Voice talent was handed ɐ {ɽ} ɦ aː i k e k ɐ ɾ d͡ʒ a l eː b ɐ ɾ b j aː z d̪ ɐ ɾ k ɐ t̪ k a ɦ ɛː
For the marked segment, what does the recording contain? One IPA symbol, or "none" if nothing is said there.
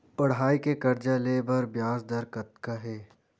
ɽ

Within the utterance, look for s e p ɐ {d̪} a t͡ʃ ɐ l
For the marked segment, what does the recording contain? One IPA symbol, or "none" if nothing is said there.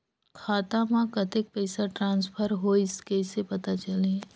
t̪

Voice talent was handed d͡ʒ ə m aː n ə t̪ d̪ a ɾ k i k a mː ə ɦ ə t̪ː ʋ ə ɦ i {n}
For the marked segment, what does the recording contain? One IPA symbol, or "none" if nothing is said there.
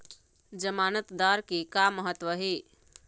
none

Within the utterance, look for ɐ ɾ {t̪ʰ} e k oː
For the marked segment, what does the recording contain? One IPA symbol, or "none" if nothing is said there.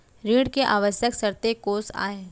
t̪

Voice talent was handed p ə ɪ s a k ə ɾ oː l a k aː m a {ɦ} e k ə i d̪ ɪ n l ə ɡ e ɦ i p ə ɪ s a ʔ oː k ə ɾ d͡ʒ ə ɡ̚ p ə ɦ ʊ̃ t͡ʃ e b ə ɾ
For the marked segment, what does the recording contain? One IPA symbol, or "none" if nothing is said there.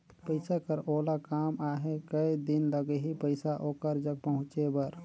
ɦ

